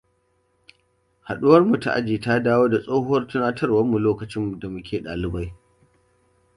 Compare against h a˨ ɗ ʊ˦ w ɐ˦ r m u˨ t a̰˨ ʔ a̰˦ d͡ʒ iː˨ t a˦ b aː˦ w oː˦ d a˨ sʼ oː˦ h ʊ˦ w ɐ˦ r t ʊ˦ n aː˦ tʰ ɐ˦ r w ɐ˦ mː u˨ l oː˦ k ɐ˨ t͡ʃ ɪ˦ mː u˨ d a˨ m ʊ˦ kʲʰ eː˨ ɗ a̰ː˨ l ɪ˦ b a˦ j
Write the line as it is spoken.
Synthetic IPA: h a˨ ɗ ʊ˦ w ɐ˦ r m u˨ t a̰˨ ʔ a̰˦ d͡ʒ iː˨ t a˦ d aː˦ w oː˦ d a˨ sʼ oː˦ h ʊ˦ w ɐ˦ r t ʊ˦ n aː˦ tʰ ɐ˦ r w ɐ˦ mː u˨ l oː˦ k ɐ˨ t͡ʃ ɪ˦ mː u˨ d a˨ m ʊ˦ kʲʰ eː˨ ɗ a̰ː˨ l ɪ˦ b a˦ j

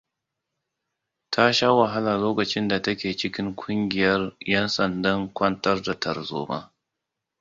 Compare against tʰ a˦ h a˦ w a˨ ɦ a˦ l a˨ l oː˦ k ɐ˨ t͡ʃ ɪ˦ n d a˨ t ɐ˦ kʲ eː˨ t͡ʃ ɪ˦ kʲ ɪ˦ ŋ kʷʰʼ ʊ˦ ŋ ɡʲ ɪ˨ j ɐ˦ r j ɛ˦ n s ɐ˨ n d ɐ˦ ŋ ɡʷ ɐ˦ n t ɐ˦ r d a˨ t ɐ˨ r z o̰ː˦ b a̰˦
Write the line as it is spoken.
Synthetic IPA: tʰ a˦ ʃ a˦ w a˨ ɦ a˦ l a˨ l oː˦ k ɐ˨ t͡ʃ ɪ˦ n d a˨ t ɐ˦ kʲ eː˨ t͡ʃ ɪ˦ kʲ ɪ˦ ŋ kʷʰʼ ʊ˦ ŋ ɡʲ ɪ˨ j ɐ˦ r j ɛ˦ n s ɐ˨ n d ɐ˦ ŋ kʷ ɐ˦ n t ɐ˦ r d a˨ t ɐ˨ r z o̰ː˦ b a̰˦

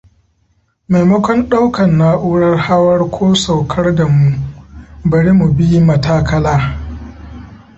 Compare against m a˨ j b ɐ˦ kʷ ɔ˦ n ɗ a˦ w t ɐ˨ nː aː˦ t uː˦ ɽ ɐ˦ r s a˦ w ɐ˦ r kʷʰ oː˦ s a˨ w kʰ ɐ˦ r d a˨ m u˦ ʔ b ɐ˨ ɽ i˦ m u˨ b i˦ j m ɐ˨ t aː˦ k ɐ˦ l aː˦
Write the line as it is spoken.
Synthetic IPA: m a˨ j m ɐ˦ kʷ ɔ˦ n ɗ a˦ w k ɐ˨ nː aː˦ ʔ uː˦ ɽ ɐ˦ r h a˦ w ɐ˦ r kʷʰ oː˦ s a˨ w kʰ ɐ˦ r d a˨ m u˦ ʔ b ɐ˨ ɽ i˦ m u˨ b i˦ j m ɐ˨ t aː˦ k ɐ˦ l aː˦

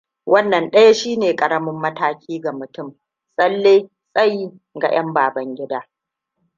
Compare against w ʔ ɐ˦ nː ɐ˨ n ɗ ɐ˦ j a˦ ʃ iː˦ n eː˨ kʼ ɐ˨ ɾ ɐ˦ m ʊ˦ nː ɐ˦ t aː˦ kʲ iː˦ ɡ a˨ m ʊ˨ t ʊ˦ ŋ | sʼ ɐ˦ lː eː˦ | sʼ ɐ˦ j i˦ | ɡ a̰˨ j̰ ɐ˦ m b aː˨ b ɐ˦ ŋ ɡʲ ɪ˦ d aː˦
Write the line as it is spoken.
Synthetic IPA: w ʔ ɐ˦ nː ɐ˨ n ɗ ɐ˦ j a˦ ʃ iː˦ n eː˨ kʼ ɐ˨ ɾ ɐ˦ m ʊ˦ mː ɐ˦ t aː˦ kʲ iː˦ ɡ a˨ m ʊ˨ t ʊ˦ m | sʼ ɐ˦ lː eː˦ | sʼ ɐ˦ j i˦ | ɡ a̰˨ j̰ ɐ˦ m b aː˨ b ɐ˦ ŋ ɡʲ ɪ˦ d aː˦

